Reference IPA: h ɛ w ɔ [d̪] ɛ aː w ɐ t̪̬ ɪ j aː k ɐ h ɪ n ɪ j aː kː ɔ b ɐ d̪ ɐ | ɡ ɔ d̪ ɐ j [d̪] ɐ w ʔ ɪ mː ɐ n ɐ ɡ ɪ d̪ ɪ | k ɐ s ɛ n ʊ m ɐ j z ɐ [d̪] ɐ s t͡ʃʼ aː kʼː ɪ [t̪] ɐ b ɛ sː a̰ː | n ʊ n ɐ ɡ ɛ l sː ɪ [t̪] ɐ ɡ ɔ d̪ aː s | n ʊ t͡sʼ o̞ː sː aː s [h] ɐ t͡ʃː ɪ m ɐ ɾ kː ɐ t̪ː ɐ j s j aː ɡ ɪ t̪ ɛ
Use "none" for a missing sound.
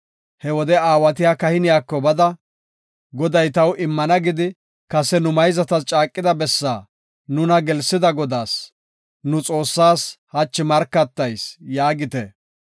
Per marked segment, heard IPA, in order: d̪, t̪, t̪, d̪, d̪, h

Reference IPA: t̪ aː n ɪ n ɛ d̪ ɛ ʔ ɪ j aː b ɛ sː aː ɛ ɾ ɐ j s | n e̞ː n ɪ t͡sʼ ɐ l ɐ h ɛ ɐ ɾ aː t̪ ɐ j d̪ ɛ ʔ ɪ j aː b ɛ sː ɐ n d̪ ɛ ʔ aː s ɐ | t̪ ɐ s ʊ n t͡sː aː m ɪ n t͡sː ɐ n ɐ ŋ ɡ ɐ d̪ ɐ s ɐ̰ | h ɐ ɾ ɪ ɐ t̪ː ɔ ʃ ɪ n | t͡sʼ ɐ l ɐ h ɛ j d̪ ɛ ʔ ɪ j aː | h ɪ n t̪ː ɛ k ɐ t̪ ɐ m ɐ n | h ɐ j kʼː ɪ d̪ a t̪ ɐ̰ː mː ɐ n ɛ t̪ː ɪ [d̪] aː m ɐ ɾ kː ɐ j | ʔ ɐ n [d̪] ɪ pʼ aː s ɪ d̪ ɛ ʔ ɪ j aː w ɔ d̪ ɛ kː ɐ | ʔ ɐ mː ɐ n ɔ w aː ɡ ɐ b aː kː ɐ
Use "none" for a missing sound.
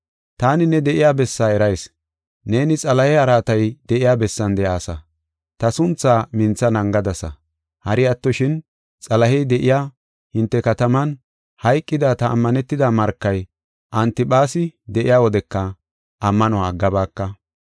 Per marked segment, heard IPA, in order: d̪, t̪

